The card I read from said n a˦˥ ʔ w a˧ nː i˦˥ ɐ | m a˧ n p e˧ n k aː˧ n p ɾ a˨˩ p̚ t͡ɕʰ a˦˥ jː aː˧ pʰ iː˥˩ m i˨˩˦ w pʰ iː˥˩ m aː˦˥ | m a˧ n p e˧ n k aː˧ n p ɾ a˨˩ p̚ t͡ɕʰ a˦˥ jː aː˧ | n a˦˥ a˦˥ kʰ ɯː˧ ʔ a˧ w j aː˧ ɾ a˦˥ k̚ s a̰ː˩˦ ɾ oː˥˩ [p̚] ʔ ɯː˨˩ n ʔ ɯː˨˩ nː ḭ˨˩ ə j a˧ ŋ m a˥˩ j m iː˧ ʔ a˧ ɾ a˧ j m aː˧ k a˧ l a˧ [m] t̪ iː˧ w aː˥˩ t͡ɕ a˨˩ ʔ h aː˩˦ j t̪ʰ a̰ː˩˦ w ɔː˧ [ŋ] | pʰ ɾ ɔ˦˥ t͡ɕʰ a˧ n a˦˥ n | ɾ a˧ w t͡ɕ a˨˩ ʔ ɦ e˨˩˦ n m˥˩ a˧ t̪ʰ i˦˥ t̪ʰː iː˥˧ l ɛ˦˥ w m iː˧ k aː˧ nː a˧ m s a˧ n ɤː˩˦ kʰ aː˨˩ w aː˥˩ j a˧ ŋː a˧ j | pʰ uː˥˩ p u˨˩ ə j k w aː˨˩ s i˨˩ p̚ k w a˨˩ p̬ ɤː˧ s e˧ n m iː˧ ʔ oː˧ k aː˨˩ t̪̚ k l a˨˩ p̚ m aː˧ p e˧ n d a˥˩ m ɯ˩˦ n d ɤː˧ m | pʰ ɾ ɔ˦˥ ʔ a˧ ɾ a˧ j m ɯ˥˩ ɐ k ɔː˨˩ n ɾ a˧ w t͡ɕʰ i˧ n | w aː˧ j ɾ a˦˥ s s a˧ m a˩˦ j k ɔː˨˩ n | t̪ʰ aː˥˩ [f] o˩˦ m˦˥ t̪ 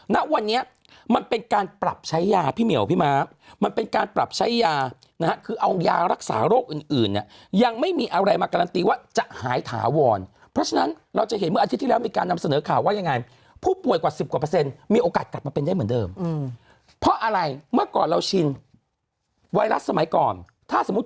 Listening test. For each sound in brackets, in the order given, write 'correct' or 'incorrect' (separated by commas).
incorrect, incorrect, incorrect, incorrect